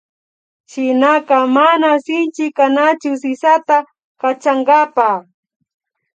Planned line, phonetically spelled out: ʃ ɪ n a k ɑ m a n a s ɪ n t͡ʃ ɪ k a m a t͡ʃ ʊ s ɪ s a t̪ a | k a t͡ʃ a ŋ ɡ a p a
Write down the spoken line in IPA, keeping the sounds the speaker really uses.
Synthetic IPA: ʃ ɪ n a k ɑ m a n a s ɪ n t͡ʃ ɪ k a n a t͡ʃ ʊ s ɪ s a t̪ a | k a t͡ʃ a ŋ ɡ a p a

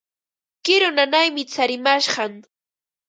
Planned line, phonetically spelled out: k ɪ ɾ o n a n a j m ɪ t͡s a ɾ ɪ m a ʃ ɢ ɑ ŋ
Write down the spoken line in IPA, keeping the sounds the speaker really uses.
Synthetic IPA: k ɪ ɾ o n a n a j m ɪ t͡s a ɾ ɪ m a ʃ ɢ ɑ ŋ

